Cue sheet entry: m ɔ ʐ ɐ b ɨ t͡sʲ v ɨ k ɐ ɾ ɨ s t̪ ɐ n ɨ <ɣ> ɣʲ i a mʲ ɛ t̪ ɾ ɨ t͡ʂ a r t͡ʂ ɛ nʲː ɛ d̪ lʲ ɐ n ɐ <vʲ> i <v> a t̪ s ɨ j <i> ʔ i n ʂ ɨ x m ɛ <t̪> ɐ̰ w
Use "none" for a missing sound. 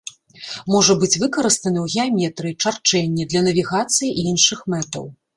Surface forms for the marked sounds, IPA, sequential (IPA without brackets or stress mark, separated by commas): w, vʲ, ɣ, i, t̪